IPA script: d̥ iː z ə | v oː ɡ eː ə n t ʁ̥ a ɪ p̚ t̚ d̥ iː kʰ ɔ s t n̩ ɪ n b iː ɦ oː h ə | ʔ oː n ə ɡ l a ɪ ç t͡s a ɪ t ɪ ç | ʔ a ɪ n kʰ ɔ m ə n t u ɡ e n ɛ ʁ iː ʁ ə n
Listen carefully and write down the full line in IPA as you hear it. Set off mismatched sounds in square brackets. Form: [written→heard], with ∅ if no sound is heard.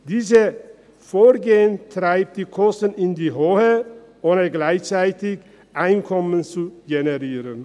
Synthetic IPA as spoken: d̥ iː z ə | [v→f] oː ɡ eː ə n t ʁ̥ a ɪ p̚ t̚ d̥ iː kʰ ɔ s t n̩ ɪ n [b→d] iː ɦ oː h ə | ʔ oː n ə ɡ l a ɪ ç t͡s a ɪ t ɪ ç | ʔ a ɪ n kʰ ɔ m ə n [t→t͡s] u ɡ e n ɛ ʁ iː ʁ ə n